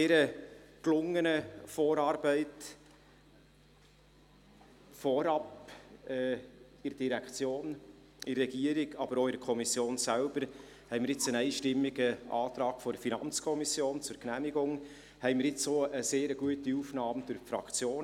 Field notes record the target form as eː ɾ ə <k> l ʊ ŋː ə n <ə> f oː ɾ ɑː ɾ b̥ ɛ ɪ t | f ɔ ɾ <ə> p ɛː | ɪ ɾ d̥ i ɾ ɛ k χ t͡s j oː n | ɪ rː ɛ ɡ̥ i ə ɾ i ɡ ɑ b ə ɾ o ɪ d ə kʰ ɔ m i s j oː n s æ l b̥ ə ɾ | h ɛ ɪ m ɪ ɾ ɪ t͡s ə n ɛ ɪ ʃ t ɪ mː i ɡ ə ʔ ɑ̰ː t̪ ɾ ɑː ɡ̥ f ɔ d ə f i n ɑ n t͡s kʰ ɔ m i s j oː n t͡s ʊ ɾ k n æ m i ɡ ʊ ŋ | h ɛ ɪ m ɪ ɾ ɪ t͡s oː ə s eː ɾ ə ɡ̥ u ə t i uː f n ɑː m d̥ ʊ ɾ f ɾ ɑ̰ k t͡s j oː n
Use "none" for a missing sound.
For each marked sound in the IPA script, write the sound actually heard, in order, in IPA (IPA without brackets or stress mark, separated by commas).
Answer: k, ə, ɑ